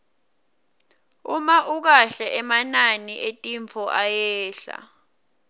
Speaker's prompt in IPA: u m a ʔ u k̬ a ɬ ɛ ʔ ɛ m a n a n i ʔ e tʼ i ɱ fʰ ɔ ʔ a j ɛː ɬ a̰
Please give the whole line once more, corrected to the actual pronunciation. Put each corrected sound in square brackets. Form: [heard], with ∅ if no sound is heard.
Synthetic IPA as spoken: u m a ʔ u k̬ a ɬ ɛ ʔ ɛ m a n a n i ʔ e tʼ i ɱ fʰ ɔ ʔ a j ɛː ɬ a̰